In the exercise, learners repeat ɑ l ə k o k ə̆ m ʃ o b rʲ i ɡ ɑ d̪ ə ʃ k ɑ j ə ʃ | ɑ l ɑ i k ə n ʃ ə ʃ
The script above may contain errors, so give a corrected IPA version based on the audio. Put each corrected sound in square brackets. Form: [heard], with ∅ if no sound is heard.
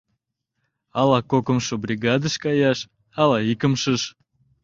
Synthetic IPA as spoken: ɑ l [ɑ] k o k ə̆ m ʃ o b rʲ i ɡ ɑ d̪ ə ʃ k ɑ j [ɑ] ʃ | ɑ l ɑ i k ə [m] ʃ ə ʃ